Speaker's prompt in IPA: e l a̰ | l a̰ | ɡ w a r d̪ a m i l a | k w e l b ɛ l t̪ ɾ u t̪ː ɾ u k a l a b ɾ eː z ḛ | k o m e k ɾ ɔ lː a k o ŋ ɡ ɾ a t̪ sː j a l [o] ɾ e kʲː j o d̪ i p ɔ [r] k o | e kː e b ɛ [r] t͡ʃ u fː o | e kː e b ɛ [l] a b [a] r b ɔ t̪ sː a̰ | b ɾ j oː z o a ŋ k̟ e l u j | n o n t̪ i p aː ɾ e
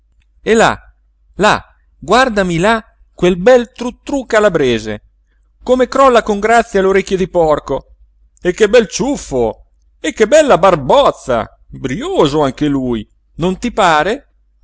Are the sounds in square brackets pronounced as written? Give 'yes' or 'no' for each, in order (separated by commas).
yes, yes, no, no, yes